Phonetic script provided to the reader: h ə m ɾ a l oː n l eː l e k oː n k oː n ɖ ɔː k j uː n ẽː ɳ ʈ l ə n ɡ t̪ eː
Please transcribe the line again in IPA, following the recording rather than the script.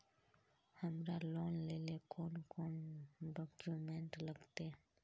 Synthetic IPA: h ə m ɾ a l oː n l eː l e k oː n k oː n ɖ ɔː k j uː m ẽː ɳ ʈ l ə ɡ t̪ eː